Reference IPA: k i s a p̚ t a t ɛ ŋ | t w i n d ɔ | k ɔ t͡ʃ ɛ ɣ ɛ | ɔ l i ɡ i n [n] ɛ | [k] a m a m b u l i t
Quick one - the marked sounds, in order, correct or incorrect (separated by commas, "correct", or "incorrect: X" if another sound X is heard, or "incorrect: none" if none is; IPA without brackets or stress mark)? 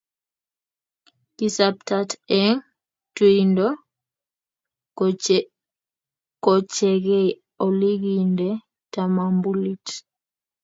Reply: incorrect: d, incorrect: t